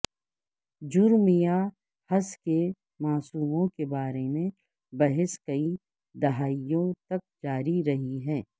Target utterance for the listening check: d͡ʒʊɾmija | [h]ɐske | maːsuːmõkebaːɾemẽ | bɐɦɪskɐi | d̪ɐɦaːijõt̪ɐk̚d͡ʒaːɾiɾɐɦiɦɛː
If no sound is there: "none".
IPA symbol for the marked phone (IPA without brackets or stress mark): h